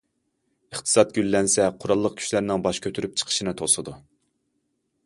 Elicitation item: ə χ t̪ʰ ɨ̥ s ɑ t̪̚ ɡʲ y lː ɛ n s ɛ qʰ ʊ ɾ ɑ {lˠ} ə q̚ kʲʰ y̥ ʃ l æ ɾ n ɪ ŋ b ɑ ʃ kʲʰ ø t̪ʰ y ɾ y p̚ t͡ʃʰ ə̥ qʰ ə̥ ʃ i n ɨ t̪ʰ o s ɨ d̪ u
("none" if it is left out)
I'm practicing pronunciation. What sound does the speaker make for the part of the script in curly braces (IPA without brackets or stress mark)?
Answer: lˠː